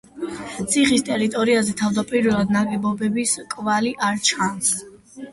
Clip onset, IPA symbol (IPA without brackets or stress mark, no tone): t̪